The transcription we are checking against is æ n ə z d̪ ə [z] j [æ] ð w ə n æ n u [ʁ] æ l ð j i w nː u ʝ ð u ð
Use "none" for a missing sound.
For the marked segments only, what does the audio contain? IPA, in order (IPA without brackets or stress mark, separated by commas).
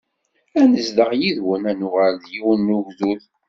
ʁ, i, ʁ